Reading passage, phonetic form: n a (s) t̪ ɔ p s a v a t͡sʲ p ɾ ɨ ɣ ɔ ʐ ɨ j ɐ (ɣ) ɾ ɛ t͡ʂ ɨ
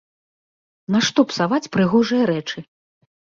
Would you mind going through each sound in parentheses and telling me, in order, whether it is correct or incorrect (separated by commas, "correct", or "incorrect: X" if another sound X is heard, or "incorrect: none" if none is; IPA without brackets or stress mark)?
incorrect: ʂ, incorrect: none